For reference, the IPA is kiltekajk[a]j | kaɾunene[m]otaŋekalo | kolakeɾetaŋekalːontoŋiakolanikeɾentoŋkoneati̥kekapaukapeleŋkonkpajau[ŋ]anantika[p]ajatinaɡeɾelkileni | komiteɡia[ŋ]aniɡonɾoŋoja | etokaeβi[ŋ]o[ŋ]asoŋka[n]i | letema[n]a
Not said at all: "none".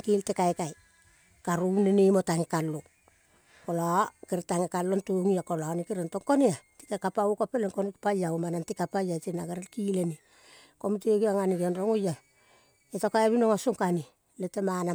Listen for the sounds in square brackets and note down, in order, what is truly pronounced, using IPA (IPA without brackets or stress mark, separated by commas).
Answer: a, m, m, p, ŋ, n, ŋ, n, n